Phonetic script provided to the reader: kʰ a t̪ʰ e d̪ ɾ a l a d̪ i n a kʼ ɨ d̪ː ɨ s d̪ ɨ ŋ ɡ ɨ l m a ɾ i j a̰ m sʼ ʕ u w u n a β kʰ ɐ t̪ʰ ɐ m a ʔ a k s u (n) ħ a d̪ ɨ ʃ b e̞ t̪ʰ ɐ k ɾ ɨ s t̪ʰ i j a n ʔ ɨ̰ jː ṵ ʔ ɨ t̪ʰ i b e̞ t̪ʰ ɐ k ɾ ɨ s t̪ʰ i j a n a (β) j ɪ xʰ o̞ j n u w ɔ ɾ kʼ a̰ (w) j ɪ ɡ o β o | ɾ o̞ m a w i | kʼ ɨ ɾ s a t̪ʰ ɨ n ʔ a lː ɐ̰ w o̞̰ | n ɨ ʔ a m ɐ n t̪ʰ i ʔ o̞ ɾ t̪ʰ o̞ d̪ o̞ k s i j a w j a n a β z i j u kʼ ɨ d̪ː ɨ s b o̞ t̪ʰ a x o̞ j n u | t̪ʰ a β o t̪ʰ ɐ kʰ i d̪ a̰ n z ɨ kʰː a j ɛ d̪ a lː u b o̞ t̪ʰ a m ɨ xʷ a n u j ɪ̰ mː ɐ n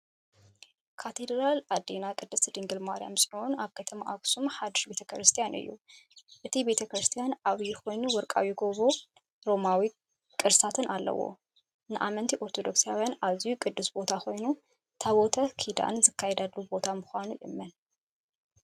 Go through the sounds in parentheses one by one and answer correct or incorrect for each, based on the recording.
incorrect, correct, correct

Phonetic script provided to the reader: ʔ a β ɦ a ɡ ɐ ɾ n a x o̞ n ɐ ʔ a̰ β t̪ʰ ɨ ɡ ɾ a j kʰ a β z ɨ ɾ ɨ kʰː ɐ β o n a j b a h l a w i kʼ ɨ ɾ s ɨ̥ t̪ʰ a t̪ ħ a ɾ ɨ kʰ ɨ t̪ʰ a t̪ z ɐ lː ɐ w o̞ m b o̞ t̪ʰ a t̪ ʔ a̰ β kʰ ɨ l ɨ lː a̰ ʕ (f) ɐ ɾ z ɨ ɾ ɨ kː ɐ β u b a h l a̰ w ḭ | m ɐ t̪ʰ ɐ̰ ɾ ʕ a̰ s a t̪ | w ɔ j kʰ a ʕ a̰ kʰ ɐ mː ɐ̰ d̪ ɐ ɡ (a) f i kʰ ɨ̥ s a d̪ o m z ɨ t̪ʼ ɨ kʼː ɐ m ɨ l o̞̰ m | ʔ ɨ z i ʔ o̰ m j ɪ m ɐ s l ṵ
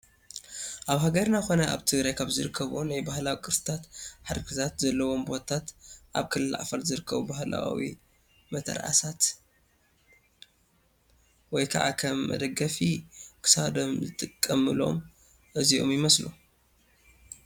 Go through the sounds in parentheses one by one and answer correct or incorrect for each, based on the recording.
correct, incorrect

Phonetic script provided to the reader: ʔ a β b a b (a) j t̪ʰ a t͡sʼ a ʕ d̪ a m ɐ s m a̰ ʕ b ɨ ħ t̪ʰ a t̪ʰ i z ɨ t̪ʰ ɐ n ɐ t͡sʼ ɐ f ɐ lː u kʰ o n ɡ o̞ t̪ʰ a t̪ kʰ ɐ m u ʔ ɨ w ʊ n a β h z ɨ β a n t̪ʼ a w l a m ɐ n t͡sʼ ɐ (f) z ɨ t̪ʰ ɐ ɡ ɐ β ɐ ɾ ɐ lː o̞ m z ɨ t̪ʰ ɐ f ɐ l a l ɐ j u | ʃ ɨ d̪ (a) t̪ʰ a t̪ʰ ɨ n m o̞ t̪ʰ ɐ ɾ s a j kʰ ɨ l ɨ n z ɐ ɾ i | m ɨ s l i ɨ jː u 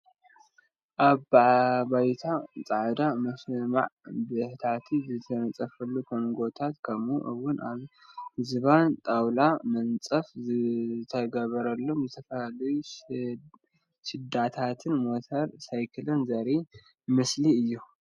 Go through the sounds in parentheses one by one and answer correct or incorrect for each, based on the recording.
correct, correct, correct

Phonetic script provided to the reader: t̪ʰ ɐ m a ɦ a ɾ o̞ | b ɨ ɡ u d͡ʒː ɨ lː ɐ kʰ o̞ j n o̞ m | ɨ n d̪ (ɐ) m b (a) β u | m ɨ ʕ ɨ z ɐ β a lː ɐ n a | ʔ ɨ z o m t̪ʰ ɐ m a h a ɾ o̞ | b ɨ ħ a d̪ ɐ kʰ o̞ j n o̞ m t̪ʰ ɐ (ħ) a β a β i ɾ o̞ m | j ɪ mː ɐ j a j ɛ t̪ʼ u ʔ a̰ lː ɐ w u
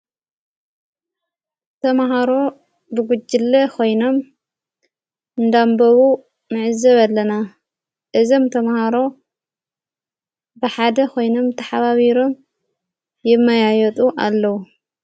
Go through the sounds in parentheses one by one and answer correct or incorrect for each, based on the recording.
incorrect, incorrect, correct

